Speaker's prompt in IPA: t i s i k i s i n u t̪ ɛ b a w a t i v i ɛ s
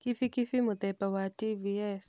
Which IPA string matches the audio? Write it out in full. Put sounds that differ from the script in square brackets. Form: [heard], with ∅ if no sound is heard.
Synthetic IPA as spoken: [k] i [f] i k i [f] i [m] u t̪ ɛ [p] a w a t i v i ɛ s